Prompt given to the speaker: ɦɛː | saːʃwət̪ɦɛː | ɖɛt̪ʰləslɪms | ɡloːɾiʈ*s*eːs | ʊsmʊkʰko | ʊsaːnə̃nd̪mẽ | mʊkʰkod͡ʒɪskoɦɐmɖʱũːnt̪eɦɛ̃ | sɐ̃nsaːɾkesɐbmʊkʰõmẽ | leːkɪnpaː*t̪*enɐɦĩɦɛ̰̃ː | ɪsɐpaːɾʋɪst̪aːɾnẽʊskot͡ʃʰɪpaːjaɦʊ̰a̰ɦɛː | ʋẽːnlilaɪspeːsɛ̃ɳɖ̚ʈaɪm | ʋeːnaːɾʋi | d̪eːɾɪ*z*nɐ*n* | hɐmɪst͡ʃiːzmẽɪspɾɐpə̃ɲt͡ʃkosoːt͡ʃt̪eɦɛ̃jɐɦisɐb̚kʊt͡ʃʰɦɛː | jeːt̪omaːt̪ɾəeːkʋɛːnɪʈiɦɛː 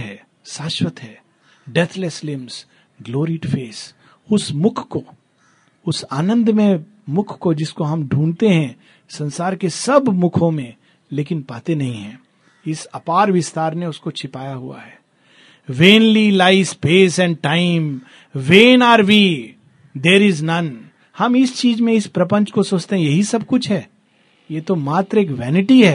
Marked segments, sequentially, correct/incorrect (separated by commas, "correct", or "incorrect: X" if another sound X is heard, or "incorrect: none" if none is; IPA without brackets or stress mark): incorrect: f, correct, correct, correct